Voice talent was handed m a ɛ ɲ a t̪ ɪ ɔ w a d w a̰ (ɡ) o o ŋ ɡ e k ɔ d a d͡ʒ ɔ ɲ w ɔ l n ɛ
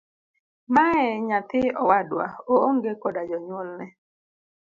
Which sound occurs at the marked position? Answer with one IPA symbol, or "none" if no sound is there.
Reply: none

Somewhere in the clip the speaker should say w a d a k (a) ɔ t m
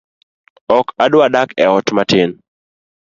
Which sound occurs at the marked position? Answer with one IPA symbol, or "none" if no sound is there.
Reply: ɛ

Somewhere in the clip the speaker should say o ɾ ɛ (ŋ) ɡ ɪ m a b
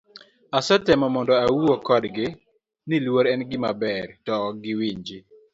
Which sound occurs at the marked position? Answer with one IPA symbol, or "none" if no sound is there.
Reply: n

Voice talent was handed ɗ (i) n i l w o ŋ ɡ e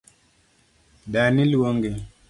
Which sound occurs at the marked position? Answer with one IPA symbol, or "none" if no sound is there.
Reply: a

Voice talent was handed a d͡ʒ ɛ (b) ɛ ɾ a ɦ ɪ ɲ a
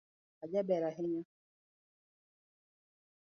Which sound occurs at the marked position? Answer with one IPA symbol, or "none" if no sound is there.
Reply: b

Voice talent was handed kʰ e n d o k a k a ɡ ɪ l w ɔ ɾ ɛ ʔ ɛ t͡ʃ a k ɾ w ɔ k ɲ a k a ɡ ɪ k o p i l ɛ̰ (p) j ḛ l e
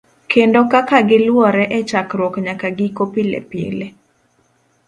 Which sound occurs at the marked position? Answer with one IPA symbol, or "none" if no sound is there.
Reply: p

